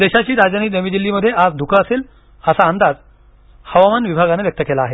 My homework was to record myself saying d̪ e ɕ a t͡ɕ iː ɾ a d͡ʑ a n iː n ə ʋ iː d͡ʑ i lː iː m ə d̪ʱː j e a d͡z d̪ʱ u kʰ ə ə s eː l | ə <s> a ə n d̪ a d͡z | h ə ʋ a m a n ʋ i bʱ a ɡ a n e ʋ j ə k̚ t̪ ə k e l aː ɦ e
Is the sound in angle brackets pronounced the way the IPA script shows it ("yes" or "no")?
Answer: yes